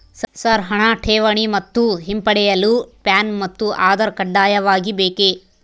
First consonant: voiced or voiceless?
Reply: voiceless